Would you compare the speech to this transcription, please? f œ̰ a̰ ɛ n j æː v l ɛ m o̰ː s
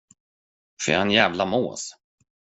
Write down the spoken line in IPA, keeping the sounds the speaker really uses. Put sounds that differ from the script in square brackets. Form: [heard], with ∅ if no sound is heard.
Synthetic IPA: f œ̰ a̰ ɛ n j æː v l [a] m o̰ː s